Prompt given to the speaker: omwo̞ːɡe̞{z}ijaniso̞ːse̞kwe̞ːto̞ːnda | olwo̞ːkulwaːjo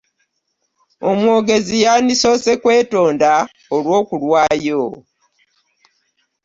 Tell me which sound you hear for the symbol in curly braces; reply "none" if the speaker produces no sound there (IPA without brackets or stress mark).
z